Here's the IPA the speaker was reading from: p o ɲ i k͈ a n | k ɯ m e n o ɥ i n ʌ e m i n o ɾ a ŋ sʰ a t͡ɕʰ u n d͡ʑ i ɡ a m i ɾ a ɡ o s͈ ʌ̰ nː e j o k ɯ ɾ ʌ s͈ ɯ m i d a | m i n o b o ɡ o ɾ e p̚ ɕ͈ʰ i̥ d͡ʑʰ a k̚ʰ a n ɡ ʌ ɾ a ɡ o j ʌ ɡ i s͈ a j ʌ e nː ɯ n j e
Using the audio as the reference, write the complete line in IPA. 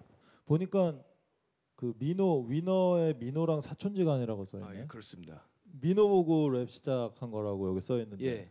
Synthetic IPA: p o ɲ i k͈ a n | k ɯ m i n o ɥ i n ʌ e m i n o ɾ a ŋ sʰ a t͡ɕʰ o n d͡ʑ i ɡ a ɲ i ɾ a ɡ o s͈ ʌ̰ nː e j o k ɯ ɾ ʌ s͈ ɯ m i d a | m i n o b o ɡ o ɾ e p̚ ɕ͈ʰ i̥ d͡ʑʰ a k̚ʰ a n ɡ ʌ ɾ a ɡ o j ʌ ɡ i s͈ ʌ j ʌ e nː ɯ n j e